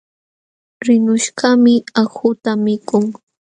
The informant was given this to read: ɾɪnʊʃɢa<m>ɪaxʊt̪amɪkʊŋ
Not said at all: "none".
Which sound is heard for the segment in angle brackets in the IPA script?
m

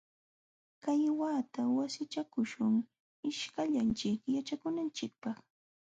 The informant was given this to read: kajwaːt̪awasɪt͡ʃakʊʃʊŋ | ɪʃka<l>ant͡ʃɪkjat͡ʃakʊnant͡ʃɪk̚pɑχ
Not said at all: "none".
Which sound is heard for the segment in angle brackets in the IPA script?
ʎ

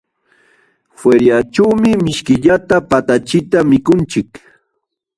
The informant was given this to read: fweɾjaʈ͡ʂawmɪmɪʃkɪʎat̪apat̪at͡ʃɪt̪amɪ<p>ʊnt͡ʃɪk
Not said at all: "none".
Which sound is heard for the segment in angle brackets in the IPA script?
k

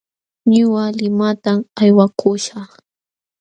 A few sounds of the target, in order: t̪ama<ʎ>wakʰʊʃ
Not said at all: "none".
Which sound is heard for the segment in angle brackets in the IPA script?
j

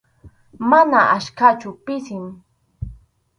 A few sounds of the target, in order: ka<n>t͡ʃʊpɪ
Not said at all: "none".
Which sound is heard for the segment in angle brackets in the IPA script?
none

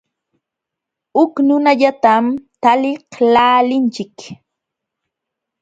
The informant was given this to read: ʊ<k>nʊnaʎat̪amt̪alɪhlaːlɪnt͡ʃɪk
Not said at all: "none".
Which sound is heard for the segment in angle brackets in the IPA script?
k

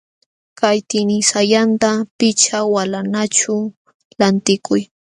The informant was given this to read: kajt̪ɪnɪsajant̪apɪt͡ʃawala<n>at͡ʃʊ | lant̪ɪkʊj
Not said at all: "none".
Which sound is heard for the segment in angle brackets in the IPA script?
n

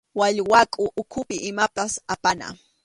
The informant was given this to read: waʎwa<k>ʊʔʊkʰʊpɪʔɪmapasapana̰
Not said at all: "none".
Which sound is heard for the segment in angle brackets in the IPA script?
kʼ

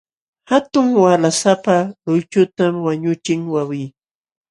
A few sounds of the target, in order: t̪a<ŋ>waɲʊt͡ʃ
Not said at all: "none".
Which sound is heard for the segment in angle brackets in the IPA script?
m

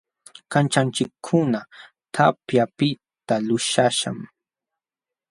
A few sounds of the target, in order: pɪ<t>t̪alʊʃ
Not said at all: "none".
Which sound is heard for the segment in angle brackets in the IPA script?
t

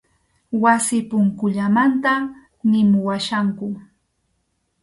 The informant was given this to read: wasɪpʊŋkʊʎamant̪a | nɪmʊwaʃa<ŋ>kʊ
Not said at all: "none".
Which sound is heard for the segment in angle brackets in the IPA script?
ŋ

